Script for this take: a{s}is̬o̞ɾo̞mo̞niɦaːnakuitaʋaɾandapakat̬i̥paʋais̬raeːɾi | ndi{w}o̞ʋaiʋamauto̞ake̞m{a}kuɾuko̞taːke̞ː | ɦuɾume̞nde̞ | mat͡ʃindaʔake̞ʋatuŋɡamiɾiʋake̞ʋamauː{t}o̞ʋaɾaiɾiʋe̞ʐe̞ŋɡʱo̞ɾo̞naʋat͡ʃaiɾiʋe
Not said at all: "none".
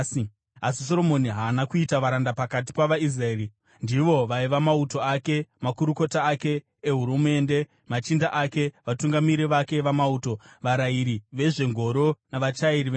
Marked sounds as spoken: s, ʋ, a, t

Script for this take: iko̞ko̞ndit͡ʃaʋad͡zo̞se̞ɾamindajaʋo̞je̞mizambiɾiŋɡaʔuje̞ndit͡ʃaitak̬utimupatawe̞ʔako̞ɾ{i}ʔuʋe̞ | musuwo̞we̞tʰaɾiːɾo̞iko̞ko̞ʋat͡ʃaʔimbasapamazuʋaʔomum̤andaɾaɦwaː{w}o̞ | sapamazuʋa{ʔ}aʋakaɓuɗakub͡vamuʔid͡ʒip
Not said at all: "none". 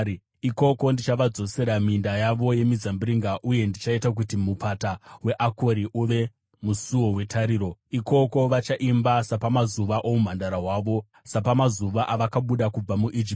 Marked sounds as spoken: i, ʋ, ʔ

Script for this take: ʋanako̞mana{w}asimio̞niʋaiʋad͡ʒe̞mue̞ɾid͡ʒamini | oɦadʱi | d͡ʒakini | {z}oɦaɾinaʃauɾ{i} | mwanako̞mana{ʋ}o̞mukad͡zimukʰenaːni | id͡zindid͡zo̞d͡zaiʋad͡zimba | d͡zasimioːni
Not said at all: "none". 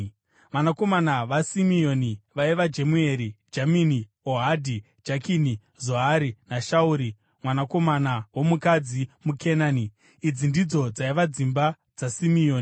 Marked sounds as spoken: ʋ, z, i, w

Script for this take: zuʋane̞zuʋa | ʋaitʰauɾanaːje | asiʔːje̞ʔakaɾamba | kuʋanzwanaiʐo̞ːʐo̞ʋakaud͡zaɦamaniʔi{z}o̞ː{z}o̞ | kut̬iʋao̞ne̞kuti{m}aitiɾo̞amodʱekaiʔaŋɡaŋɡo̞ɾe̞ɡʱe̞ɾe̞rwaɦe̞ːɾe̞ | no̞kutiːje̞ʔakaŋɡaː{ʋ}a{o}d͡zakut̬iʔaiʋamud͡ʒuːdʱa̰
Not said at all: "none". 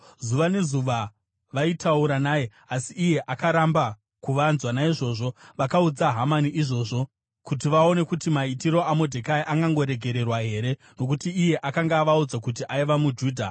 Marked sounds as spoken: ʐ, ʐ, m, ʋ, u

